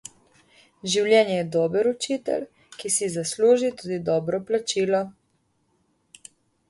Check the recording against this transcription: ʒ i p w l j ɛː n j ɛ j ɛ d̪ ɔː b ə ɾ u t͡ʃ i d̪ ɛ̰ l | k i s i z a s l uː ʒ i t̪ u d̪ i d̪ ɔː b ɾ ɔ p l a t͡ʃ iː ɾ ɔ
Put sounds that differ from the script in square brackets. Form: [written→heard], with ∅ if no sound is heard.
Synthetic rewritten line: ʒ i [p→∅] w l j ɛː n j ɛ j ɛ d̪ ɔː b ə ɾ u t͡ʃ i [d̪→t̪] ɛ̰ l | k i s i z a s l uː ʒ i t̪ u d̪ i d̪ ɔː b ɾ ɔ p l a t͡ʃ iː [ɾ→l] ɔ